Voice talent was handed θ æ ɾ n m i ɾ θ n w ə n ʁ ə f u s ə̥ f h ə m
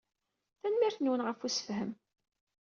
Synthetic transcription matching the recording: θ æ n m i ɾ θ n w ə n ʁ ə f u s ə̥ f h ə m